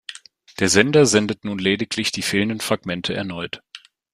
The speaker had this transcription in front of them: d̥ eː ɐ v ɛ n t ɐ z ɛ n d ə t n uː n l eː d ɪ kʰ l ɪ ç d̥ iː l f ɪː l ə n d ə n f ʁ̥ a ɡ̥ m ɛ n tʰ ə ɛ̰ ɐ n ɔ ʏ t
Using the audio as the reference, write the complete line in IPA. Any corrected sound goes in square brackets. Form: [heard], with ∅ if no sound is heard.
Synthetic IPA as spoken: d̥ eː ɐ [z] ɛ n [d] ɐ z ɛ n d ə t n uː n l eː d ɪ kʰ l ɪ ç d̥ iː [∅] f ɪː l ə n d ə n f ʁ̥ a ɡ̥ m ɛ n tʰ ə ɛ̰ ɐ n ɔ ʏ t